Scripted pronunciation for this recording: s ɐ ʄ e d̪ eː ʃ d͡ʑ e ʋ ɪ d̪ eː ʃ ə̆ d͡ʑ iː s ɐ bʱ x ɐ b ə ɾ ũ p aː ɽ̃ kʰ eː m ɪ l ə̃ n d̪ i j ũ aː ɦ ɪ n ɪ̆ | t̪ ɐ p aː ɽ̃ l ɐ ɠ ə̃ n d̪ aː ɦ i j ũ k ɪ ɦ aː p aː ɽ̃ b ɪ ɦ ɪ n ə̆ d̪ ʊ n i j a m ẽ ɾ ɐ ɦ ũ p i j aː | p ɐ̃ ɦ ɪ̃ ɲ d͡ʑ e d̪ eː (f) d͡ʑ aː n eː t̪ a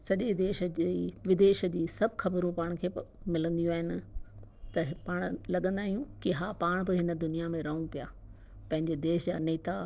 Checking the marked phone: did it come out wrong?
yes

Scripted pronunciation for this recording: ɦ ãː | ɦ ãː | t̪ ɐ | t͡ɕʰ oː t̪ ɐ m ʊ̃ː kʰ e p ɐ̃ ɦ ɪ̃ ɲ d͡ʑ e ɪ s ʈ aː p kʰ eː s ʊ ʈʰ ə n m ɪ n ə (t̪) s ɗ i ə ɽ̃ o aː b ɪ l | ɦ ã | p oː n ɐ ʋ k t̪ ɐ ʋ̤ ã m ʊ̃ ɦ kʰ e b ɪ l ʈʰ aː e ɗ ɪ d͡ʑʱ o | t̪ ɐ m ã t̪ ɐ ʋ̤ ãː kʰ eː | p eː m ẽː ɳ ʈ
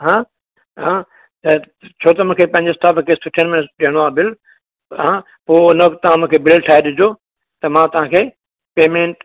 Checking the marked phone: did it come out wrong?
yes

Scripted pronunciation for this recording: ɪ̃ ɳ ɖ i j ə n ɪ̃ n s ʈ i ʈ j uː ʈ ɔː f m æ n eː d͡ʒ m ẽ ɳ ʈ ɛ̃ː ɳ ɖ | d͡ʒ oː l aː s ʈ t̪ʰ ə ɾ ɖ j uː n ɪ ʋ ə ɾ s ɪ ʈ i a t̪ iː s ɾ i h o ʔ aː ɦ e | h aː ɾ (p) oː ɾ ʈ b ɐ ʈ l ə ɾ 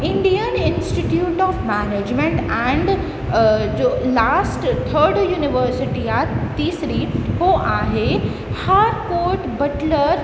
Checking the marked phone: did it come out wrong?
yes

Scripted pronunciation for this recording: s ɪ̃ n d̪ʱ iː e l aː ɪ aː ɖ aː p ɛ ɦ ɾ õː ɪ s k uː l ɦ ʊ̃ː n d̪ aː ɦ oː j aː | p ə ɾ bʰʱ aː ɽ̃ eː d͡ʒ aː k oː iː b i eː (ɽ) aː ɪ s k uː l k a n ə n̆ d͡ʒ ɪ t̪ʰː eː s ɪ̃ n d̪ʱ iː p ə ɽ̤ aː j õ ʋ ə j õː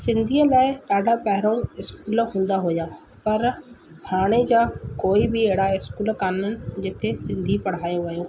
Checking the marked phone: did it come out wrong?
no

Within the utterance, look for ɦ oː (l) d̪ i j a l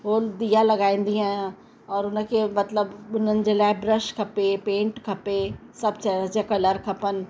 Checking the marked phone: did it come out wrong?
no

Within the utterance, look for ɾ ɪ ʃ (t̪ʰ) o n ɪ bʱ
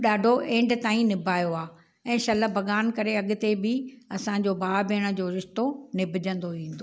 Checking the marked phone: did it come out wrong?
yes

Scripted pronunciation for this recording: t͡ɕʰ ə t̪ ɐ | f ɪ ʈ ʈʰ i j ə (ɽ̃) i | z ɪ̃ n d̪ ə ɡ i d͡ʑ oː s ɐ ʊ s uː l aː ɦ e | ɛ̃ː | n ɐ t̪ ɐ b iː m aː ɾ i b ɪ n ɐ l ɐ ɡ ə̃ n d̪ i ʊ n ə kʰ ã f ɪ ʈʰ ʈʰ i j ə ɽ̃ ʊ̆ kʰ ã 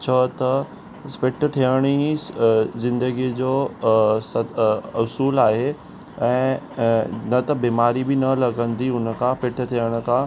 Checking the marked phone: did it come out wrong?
no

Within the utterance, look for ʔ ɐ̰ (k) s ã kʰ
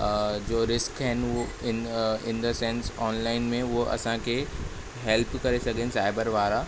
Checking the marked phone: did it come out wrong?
yes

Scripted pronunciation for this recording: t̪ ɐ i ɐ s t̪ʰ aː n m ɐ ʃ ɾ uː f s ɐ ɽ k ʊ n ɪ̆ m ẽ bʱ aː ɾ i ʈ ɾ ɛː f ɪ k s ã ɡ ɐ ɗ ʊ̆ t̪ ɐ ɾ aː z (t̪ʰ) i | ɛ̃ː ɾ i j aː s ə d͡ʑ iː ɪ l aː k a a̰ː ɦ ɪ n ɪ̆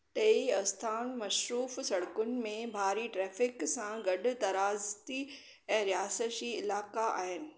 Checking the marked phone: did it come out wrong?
yes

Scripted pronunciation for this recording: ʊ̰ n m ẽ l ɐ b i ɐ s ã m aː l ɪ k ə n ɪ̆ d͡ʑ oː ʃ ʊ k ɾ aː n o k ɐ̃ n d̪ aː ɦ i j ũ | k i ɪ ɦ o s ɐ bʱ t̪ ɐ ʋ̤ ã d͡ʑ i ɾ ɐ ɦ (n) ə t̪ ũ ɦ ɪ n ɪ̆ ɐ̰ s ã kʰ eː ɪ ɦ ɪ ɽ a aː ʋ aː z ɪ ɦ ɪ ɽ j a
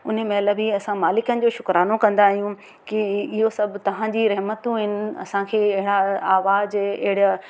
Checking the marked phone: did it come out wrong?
yes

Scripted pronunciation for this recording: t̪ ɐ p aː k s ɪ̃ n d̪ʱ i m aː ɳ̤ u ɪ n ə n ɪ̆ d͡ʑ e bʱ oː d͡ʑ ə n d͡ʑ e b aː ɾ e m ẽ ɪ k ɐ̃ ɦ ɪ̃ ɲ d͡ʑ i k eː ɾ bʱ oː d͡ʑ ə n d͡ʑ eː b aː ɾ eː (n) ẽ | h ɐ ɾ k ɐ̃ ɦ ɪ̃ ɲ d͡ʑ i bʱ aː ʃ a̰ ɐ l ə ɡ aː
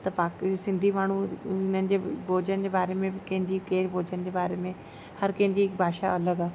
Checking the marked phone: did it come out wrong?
yes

